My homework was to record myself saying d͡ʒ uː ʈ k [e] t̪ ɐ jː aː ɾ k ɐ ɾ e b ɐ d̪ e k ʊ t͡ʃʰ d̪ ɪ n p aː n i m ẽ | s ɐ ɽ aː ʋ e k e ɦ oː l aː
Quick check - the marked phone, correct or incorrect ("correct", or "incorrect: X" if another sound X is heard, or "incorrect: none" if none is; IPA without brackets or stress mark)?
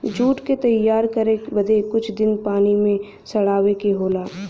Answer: correct